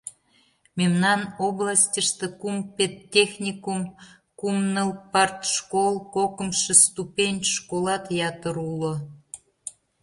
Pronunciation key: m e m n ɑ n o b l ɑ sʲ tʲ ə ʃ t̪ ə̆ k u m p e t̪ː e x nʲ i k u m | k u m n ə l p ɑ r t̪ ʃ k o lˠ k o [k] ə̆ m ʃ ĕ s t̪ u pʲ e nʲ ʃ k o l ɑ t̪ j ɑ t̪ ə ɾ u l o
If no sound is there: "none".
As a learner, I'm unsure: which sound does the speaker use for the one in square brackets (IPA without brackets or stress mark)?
k